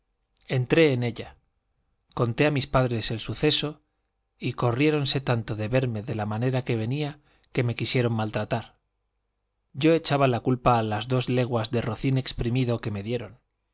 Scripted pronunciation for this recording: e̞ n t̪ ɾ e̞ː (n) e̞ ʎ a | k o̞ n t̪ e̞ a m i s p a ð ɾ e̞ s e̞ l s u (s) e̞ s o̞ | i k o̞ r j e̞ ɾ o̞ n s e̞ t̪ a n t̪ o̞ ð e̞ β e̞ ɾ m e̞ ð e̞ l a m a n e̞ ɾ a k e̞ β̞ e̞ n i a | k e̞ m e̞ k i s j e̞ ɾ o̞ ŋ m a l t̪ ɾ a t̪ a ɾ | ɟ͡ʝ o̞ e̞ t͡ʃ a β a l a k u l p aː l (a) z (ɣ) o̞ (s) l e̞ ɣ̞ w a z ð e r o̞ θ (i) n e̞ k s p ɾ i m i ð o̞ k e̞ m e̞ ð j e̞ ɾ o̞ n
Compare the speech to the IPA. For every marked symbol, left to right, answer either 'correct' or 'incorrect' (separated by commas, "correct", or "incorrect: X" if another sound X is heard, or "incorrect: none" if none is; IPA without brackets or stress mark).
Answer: correct, incorrect: θ, correct, incorrect: ð, incorrect: z, correct